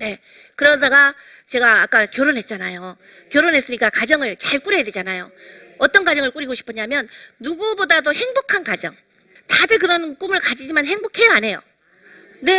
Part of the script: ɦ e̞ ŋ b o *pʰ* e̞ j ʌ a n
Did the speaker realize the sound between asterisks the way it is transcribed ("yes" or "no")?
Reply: no